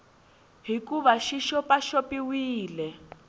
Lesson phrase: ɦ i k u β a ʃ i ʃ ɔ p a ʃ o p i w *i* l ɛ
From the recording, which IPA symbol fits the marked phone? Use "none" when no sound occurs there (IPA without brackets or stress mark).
iː